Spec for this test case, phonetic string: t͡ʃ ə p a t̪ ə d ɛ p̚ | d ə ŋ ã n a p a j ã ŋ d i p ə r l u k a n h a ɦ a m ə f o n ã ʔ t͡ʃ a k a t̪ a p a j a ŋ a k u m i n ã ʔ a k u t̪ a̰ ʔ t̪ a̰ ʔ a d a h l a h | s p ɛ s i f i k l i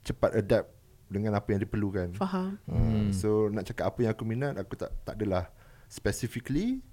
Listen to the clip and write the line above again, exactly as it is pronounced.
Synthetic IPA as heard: t͡ʃ ə p a t̪ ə d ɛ p̚ | d ə ŋ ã n a p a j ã ŋ d i p ə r l u k a n f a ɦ a m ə s o n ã ʔ t͡ʃ a k a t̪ a p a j a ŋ a k u m i n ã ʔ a k u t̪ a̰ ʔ t̪ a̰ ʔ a d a l a h | s p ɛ s i f i k l i